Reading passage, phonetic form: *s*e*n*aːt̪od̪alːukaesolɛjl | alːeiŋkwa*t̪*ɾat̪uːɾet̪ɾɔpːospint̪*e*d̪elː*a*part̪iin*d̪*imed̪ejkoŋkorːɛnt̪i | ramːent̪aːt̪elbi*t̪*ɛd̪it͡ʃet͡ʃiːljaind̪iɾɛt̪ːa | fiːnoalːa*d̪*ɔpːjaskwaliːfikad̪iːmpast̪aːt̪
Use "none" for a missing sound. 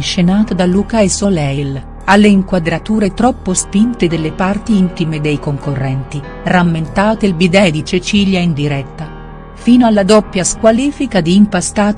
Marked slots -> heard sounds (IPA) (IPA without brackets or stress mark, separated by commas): ʃ, n, d̪, e, e, t̪, d̪, d̪